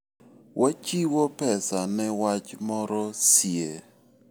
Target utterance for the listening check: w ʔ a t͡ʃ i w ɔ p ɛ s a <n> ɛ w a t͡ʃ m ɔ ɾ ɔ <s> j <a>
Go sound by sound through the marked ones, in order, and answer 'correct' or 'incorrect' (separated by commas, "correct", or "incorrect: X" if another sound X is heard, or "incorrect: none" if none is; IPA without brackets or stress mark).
correct, correct, incorrect: e